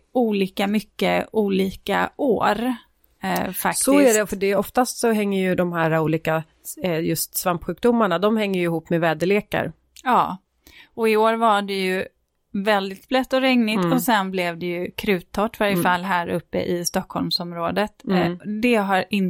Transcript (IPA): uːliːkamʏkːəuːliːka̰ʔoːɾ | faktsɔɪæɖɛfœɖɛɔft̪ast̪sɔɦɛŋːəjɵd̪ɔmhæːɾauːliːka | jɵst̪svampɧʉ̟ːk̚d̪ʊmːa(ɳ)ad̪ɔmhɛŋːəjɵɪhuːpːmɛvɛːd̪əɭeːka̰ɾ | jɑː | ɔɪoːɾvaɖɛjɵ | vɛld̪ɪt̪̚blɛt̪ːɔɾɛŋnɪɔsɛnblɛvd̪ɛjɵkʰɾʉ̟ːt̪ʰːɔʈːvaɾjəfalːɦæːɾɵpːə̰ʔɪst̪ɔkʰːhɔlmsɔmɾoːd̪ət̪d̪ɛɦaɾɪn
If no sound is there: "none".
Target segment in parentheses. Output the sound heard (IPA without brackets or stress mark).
ɳ